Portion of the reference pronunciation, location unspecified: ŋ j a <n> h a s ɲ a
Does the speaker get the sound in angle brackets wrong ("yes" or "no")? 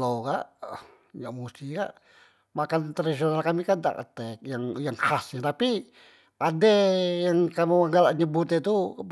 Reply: yes